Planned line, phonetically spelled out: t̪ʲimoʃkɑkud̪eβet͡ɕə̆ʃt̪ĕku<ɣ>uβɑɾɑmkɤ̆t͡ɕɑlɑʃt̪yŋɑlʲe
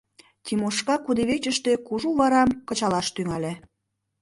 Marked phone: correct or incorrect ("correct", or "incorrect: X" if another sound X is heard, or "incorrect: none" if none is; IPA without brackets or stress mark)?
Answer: incorrect: ʒ